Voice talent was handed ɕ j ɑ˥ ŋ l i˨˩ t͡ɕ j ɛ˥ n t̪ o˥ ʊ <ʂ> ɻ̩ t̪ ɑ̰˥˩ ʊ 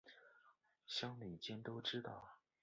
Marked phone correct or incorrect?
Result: incorrect